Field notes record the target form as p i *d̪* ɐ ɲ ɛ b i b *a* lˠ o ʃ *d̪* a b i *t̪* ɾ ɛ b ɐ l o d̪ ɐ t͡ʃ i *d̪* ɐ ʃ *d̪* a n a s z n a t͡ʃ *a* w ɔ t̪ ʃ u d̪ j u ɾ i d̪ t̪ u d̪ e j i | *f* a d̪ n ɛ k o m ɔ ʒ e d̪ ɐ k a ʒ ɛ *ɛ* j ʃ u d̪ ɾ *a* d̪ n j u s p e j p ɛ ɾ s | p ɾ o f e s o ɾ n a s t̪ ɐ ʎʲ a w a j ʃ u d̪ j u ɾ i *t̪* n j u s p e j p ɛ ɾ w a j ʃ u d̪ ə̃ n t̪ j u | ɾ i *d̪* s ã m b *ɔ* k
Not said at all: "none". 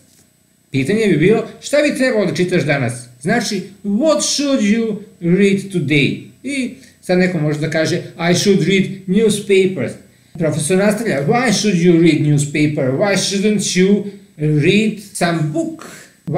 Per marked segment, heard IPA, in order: t̪, i, t̪, t̪, t̪, d̪, i, s, a, i, d̪, d̪, u

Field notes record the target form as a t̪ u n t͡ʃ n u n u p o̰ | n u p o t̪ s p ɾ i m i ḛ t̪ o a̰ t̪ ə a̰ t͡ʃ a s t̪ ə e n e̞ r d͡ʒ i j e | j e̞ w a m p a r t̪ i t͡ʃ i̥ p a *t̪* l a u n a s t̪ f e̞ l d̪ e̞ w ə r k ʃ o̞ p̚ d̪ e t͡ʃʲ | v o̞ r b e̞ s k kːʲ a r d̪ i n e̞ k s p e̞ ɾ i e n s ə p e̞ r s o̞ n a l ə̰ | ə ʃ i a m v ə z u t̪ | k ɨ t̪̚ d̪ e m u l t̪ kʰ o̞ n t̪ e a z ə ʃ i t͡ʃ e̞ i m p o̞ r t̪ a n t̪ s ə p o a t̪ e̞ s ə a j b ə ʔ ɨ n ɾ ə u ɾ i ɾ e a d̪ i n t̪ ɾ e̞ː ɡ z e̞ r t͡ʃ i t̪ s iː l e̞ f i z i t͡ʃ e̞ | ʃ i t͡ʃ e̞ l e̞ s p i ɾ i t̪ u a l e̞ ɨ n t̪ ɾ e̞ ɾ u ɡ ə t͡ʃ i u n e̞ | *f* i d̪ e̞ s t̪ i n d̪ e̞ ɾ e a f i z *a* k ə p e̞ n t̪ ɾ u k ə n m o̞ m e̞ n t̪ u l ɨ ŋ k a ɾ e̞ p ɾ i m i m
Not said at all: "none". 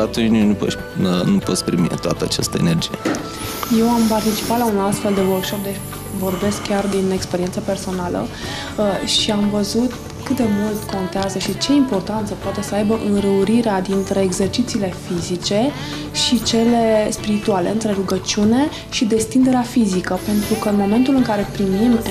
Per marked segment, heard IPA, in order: t̪, ʃ, i

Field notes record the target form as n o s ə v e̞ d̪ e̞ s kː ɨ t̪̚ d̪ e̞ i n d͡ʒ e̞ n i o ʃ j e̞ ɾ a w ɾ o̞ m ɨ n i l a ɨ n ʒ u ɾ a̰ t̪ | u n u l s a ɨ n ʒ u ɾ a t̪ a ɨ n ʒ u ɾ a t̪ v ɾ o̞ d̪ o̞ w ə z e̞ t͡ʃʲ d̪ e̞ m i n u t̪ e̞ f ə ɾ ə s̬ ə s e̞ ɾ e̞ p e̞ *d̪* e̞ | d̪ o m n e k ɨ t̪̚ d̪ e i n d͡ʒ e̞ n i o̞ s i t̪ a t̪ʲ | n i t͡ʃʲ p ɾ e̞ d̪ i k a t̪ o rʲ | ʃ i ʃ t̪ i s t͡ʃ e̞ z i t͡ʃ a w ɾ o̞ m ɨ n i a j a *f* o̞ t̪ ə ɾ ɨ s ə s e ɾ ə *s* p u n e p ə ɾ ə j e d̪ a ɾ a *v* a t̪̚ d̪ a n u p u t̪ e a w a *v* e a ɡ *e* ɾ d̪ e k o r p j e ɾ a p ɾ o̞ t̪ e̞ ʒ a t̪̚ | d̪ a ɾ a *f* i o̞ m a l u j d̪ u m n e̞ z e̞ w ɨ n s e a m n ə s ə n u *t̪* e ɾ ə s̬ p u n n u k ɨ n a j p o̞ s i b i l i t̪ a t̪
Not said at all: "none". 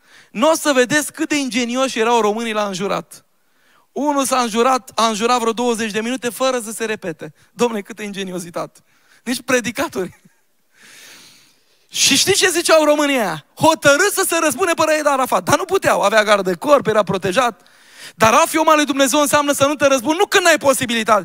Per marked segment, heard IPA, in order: t̪, h, s, f, v, a, f, t̪

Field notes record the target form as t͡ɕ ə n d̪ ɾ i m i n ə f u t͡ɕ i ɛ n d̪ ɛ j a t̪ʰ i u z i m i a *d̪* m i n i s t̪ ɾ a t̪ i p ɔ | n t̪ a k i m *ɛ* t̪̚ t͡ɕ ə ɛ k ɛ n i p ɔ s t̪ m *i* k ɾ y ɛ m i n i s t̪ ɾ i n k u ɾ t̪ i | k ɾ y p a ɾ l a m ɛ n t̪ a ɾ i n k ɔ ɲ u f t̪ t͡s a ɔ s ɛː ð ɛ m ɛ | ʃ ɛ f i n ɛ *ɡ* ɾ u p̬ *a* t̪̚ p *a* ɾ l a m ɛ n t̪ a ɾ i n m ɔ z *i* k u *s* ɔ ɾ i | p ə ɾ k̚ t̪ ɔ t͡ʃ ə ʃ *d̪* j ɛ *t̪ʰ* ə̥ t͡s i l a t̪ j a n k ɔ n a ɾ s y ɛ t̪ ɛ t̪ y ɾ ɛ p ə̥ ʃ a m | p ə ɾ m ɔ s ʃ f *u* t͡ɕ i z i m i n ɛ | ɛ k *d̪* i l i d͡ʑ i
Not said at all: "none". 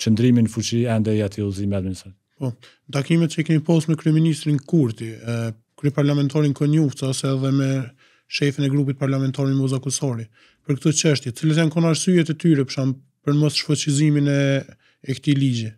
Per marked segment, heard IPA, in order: d̪, ɛ, ɛ, ɡ, i, a, a, s, t̪, t̪, ɔ, t̪

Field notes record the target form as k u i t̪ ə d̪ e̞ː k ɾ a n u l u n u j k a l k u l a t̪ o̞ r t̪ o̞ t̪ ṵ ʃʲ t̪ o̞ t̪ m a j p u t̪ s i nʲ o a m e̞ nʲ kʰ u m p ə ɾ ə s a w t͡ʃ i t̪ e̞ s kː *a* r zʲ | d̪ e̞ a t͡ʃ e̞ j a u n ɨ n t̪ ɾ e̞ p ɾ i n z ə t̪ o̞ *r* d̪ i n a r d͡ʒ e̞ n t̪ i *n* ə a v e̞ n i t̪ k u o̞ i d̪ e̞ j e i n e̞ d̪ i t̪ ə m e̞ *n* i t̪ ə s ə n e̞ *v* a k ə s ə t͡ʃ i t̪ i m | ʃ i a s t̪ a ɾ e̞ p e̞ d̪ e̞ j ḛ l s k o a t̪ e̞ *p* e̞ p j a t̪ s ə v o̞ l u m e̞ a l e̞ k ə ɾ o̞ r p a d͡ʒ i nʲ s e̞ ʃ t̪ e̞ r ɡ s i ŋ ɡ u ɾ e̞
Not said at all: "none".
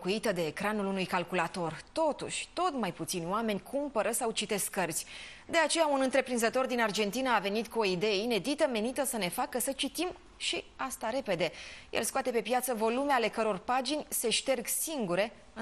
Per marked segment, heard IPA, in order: ə, r, n, n, f, p

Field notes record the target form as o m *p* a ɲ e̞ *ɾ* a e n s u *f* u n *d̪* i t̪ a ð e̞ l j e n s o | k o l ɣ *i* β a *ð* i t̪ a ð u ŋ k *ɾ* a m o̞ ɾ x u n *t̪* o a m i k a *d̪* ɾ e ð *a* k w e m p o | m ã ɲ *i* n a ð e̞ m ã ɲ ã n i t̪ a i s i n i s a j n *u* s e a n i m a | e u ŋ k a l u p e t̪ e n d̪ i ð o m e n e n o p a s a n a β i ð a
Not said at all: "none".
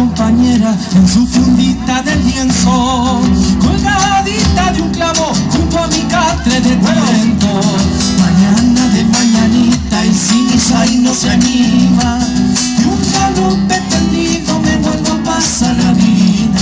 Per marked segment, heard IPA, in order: p, ɾ, f, d̪, a, ð, l, t̪, t̪, e, a, o

